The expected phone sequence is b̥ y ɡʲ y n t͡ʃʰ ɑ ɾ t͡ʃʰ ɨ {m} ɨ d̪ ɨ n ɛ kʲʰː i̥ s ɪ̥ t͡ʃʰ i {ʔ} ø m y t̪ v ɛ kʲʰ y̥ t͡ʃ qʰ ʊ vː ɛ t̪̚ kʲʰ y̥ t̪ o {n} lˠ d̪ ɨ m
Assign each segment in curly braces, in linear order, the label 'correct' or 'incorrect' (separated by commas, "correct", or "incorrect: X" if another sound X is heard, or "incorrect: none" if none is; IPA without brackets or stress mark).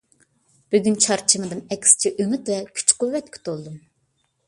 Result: correct, correct, incorrect: none